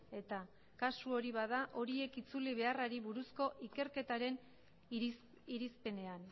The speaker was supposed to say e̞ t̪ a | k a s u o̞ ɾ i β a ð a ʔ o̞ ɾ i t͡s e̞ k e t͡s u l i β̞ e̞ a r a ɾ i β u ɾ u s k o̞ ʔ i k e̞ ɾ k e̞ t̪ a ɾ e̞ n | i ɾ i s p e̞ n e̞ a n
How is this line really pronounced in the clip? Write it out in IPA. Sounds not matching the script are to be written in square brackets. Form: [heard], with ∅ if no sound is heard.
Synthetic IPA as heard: e̞ t̪ a | k a s u o̞ ɾ i β a ð a ʔ o̞ ɾ i [∅] e̞ k [i] t͡s u l i β̞ e̞ a r a ɾ i β u ɾ u s k o̞ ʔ i k e̞ ɾ k e̞ t̪ a ɾ e̞ n | i ɾ i s p e̞ n e̞ a n